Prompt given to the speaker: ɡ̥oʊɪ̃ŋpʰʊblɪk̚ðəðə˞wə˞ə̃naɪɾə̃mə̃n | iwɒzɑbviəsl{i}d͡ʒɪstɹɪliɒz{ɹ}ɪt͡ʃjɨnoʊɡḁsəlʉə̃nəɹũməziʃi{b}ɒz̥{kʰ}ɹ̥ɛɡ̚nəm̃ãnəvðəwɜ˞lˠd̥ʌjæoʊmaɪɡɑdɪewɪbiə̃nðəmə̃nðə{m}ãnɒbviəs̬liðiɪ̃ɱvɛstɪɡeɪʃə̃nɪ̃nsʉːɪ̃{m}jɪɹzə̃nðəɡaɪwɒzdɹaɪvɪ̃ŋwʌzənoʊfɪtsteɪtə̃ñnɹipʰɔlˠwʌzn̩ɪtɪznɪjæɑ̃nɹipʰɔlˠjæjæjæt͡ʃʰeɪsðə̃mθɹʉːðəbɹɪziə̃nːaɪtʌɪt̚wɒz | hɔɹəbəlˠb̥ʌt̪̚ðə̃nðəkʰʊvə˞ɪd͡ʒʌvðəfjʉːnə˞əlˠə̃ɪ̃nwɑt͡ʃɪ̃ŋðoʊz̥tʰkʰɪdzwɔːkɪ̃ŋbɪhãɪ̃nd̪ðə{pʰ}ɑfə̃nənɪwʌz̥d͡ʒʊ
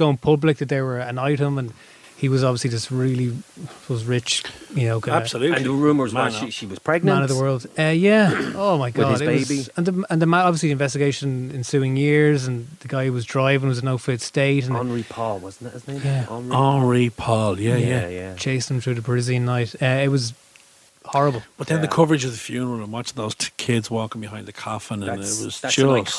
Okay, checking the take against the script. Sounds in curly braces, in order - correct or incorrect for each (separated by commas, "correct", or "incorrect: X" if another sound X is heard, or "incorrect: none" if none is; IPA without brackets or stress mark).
correct, correct, incorrect: w, incorrect: pʰ, correct, incorrect: ŋ, incorrect: kʰ